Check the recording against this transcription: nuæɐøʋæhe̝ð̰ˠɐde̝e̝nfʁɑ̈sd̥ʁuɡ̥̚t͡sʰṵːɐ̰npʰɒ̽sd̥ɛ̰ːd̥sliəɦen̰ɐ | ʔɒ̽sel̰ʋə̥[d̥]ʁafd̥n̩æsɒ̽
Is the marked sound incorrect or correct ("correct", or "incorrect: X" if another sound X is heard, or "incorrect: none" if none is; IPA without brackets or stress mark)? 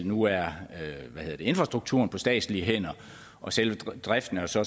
correct